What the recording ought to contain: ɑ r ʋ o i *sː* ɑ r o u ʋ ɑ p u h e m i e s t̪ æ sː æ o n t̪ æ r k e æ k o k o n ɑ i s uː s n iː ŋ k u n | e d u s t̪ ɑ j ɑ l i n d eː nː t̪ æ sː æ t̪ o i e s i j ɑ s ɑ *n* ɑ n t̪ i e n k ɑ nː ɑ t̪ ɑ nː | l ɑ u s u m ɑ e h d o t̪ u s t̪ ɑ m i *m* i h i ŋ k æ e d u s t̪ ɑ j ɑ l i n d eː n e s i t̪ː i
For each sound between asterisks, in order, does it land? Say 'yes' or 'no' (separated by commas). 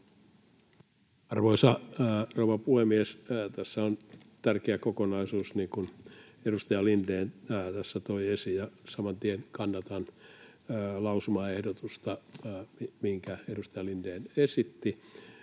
no, no, yes